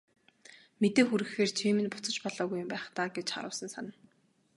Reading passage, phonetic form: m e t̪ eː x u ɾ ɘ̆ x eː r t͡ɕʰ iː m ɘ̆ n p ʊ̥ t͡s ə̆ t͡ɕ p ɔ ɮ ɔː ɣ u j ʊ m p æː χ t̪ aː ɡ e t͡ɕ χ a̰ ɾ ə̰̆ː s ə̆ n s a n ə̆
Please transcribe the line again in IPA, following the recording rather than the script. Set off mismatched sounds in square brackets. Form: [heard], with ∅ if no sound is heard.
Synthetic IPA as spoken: m e t̪ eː x u ɾ ɘ̆ x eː r t͡ɕʰ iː m ɘ̆ n p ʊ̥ t͡s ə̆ t͡ɕ p ɔ ɮ ɔː ɣ u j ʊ m p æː χ t̪ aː ɡ e t͡ɕ χ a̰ ɾ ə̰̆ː s ə̆ n s a n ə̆